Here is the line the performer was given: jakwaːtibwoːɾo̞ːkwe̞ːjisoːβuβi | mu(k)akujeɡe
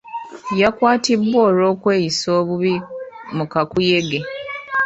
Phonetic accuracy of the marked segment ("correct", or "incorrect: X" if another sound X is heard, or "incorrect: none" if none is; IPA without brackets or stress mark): correct